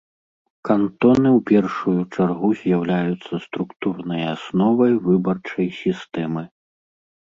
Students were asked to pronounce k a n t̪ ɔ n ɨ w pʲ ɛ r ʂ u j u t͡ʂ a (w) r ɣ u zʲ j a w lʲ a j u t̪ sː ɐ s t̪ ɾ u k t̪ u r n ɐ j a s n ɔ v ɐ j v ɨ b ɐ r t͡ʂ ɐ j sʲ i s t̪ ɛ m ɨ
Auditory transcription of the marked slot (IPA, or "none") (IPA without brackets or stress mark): none